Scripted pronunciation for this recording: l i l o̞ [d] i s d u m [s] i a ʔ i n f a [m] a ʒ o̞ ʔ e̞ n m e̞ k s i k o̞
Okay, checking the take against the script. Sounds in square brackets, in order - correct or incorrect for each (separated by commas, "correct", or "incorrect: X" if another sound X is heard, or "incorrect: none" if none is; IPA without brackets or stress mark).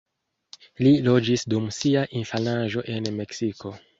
incorrect: d͡ʒ, correct, incorrect: n